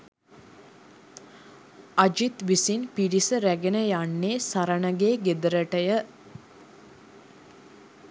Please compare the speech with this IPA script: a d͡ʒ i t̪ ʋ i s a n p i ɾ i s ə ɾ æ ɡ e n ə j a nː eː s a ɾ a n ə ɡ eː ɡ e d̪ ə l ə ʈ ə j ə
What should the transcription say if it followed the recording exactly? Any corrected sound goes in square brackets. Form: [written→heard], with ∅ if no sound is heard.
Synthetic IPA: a d͡ʒ i t̪ ʋ i s [a→i] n p i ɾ i s ə ɾ æ ɡ e n ə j a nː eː s a ɾ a n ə ɡ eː ɡ e d̪ ə [l→ɾ] ə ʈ ə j ə